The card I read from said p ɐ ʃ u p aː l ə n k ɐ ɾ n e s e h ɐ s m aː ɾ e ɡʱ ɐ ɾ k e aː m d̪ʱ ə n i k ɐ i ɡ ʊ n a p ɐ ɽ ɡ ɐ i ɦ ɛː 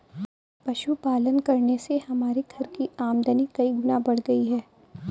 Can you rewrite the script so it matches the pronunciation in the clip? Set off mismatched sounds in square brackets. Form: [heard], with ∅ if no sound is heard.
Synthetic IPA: p ɐ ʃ u p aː l ə n k ɐ ɾ n e s e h ɐ [∅] m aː ɾ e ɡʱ ɐ ɾ k [i] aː m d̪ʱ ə n i k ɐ i ɡ ʊ n a [b] ɐ ɽ ɡ ɐ i ɦ ɛː